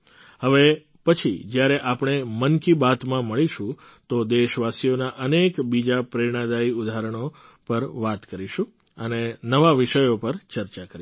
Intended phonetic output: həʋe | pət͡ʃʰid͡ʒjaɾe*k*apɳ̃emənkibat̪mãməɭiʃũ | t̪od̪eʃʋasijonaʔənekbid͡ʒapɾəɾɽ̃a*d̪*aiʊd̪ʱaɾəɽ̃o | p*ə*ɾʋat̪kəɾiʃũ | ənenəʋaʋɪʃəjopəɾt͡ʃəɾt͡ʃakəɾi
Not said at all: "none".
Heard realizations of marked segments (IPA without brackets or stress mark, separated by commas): ʔ, d̪, ə